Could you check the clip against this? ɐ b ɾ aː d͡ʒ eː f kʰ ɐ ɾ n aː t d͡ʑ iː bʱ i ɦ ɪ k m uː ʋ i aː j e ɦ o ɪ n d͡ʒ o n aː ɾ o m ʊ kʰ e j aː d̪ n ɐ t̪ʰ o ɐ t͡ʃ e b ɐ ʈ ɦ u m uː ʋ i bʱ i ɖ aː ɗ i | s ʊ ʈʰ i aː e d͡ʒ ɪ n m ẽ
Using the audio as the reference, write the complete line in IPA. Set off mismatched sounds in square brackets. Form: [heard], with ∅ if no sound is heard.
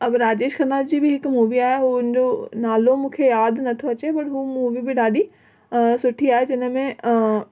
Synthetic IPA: ɐ b ɾ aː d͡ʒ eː [ʃ] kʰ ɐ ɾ n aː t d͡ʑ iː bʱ i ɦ ɪ k m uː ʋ i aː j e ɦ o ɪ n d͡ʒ o n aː [l] o m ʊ kʰ e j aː d̪ n ɐ t̪ʰ o ɐ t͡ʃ e b ɐ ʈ ɦ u m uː ʋ i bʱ i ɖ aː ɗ i | s ʊ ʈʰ i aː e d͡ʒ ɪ n m ẽ